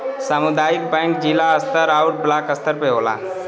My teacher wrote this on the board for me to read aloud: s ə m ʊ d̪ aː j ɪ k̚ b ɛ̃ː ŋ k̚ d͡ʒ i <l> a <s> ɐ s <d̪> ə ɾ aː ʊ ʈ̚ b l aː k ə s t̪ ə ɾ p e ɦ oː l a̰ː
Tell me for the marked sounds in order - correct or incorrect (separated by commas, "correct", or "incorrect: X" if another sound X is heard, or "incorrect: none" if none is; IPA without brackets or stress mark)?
correct, incorrect: none, incorrect: t̪